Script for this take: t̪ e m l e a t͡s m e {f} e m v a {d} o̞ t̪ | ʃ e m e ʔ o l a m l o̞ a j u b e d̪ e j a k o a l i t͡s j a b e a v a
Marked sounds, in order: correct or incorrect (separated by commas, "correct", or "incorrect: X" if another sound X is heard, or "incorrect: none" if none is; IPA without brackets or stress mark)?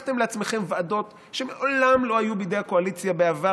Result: incorrect: χ, correct